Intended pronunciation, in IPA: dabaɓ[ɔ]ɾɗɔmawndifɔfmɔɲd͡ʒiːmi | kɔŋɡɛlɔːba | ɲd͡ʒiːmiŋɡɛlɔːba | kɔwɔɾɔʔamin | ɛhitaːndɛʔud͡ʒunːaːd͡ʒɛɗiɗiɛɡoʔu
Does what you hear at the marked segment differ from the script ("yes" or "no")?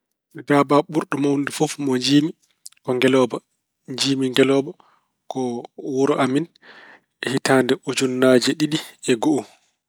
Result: yes